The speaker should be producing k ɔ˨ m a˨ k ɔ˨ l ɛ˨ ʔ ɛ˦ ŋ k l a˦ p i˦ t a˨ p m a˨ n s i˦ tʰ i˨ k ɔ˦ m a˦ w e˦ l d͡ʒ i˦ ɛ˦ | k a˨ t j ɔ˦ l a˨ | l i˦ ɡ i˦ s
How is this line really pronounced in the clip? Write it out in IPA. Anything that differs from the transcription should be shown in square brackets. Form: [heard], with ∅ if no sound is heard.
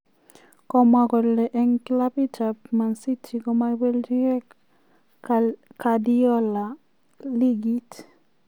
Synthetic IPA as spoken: k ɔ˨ m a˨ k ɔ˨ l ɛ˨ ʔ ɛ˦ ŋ k l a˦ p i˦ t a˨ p m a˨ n s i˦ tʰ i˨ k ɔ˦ m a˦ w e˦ l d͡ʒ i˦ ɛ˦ | k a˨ [d] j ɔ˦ l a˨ | l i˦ ɡ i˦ [t]